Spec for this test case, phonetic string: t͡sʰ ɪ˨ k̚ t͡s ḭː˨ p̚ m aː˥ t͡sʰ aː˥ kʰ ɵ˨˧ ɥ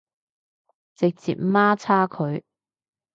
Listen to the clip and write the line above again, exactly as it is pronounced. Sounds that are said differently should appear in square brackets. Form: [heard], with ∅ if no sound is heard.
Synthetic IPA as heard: [t͡s] ɪ˨ k̚ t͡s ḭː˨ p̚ m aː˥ t͡sʰ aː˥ kʰ ɵ˨˧ ɥ